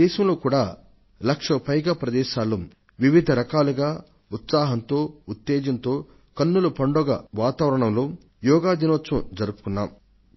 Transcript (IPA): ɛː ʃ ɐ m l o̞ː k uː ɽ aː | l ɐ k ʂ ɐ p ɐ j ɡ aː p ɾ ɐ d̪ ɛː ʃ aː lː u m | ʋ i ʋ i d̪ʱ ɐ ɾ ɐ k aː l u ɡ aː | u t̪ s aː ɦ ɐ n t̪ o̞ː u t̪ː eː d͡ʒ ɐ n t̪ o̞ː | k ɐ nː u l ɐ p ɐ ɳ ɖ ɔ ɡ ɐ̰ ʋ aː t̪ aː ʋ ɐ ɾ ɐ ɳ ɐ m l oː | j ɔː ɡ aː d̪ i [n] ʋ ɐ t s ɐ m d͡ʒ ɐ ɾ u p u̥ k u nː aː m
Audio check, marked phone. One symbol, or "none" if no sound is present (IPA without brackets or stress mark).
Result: n